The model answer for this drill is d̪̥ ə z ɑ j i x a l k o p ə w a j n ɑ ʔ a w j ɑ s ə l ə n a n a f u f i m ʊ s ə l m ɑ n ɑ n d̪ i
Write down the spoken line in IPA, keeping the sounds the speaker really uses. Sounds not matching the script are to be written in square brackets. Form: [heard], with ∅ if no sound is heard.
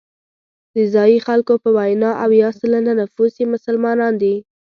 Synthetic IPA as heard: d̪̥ ə z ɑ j i x a l k o p ə w a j n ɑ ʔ a w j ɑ s ə l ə n a n a f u [s] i m ʊ s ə l m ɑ n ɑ n d̪ i